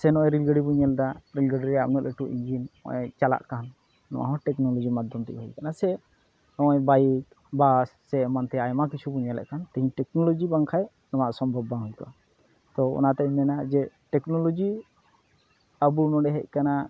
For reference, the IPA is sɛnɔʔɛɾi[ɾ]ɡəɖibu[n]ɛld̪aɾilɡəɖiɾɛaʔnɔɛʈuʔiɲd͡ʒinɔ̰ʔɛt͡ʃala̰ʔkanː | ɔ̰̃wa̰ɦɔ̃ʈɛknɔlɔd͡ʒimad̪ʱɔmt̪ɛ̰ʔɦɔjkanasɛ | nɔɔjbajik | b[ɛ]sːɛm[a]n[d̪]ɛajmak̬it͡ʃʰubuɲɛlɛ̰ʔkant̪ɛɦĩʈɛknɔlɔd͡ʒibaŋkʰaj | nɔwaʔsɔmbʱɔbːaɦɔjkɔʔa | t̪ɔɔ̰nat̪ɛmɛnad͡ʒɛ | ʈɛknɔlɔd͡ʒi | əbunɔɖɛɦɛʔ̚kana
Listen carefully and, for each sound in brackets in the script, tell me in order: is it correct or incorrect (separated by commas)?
incorrect, incorrect, incorrect, correct, incorrect